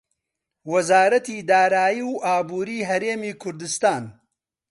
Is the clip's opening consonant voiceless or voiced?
voiced